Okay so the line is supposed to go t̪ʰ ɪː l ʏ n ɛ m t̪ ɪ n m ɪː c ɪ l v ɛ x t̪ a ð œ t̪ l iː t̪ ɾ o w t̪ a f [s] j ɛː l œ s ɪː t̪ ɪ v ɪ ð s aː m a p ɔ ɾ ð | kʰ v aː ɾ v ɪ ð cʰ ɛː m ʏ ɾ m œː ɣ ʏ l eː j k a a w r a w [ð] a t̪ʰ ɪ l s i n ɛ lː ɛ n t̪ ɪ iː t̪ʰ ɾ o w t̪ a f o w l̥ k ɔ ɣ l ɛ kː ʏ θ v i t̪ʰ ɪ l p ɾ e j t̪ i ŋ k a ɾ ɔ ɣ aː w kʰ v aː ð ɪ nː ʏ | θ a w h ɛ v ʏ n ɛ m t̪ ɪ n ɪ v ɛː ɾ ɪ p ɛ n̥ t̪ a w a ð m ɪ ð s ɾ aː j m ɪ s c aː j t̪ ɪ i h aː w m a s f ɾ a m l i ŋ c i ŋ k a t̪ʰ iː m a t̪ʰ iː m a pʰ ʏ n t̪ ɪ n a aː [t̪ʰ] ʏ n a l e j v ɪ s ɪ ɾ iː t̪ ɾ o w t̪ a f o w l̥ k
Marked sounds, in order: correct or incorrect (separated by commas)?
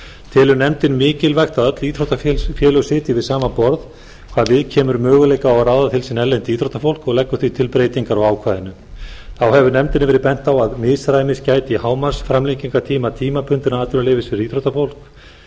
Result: incorrect, correct, incorrect